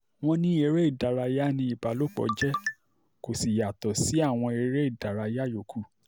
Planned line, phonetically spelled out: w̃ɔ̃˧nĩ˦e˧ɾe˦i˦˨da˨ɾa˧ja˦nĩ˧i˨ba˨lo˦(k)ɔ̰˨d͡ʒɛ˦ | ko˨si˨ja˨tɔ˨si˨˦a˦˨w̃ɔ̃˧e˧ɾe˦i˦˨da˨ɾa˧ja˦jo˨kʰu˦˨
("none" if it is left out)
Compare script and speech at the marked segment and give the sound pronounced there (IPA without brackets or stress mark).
k͡p